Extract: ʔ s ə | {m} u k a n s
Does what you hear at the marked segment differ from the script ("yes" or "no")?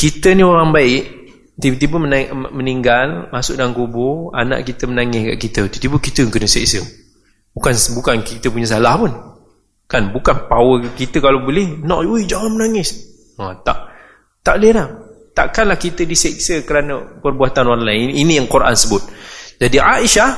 yes